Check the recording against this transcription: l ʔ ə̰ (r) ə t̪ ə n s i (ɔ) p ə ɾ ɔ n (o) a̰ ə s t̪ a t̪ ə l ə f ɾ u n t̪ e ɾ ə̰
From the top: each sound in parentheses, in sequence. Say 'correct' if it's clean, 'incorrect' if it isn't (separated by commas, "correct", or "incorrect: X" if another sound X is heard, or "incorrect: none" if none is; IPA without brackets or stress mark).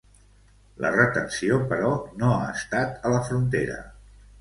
correct, incorrect: o, correct